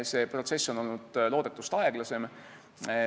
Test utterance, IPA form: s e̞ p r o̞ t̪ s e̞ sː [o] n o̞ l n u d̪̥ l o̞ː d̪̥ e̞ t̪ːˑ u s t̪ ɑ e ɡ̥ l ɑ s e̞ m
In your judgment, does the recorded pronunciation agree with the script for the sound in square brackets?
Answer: yes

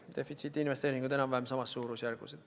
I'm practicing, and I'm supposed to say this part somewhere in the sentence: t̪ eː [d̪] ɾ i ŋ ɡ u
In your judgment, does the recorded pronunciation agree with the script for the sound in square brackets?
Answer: no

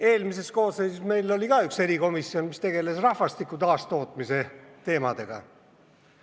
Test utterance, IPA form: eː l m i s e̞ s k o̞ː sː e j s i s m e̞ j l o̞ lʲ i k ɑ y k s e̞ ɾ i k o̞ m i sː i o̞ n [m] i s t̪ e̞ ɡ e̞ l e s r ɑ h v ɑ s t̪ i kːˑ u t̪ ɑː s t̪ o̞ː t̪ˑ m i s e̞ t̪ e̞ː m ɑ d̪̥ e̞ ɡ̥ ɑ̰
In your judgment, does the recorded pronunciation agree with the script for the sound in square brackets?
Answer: yes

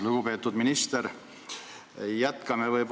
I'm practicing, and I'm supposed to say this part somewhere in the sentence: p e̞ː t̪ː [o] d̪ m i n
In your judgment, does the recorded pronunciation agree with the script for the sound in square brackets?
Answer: no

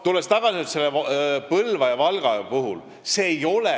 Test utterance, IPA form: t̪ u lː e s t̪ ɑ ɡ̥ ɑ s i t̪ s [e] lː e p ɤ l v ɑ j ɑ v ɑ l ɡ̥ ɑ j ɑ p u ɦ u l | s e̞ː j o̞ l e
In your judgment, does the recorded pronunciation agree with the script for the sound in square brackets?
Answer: yes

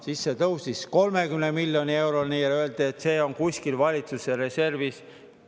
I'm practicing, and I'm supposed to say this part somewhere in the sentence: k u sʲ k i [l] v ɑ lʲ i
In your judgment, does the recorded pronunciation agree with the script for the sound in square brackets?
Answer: yes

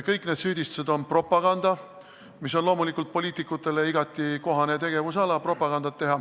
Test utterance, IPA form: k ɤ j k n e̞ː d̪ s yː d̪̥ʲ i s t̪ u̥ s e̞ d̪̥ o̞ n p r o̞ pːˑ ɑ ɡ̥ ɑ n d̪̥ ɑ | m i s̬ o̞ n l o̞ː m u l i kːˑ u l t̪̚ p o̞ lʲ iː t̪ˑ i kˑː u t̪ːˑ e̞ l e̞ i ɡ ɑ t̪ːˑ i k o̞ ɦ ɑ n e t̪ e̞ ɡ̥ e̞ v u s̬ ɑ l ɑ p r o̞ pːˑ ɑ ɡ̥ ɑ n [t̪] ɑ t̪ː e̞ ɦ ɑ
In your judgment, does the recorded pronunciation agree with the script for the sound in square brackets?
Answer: no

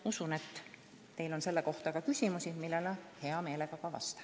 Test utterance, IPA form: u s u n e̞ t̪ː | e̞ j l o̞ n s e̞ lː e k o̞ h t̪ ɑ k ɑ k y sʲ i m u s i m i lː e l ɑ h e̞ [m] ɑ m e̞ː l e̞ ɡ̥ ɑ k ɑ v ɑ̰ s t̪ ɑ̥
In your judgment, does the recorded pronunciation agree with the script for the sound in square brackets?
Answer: no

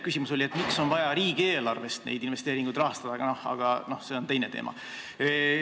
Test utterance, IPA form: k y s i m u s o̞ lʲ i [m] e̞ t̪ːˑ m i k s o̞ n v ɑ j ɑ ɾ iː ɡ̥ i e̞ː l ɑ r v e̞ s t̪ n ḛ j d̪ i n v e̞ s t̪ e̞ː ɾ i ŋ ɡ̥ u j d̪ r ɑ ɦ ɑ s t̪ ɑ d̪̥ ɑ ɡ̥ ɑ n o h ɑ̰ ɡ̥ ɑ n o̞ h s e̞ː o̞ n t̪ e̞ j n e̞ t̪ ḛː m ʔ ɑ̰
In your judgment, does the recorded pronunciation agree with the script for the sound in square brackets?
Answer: no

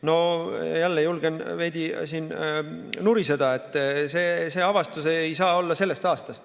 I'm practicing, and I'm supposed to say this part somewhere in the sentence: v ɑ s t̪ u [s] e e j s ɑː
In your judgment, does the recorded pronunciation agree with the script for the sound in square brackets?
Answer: yes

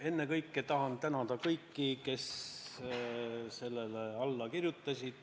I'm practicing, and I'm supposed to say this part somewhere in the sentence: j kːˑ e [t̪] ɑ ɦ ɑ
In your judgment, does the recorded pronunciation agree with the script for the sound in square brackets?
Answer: yes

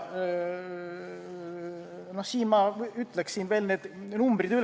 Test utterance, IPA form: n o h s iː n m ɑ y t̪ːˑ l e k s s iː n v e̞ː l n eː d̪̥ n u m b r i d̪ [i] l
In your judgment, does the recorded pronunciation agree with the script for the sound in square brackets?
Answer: no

